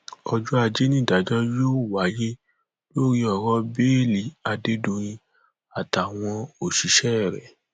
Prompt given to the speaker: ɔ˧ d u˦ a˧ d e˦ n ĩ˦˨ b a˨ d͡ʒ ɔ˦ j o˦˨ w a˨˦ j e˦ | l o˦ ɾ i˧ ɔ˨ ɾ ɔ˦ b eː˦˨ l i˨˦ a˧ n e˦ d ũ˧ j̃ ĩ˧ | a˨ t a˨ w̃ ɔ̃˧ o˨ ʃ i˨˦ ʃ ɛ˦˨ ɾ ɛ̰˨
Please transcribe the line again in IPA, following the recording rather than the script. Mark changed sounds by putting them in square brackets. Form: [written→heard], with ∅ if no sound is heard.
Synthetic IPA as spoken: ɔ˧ [d→d͡ʒ] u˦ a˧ [d→d͡ʒ] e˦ n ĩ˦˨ [b→d] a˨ d͡ʒ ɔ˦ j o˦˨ w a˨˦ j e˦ | l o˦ ɾ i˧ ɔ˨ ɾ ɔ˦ b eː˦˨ l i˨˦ a˧ [n→d] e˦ d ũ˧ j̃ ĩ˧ | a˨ t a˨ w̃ ɔ̃˧ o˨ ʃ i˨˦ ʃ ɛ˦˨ ɾ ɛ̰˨